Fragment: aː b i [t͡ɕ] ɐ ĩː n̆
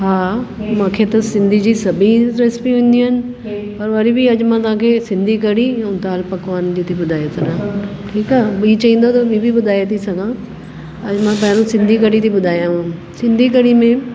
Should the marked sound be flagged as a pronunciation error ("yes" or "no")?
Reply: no